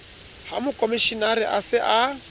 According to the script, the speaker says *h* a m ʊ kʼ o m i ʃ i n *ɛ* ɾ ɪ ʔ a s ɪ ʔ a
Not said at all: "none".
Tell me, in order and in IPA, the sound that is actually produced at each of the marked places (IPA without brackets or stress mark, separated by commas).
h, a